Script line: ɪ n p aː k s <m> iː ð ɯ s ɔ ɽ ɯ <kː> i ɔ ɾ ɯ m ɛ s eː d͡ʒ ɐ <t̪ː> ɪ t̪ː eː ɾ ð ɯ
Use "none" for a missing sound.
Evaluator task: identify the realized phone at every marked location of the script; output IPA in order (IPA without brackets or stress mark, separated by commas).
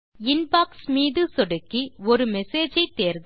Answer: m, kː, none